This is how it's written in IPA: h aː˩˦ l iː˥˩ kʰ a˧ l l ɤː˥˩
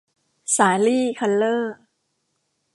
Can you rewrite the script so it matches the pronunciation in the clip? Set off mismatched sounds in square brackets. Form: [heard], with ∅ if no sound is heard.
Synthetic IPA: [s] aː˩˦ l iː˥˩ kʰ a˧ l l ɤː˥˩